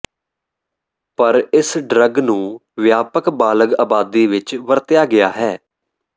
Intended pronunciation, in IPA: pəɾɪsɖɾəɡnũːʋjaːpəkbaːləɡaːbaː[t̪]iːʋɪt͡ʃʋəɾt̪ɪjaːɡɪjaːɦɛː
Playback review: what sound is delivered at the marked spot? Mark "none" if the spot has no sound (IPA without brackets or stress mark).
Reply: d̪